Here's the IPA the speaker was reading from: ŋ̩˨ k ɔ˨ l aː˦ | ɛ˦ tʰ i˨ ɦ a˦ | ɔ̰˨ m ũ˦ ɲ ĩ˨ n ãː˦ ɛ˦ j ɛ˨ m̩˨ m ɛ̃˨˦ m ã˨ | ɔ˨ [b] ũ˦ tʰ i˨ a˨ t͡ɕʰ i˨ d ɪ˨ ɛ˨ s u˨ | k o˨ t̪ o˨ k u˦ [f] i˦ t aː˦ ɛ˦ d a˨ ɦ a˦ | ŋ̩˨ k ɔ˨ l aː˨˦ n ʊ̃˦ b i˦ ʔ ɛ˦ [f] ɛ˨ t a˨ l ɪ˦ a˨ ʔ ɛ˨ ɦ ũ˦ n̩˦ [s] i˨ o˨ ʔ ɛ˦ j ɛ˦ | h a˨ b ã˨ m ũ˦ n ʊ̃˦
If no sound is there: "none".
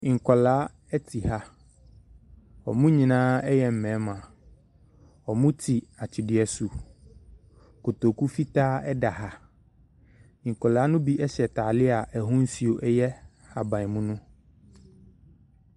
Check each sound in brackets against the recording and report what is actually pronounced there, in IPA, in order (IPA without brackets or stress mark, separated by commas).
m, f, ɕ, s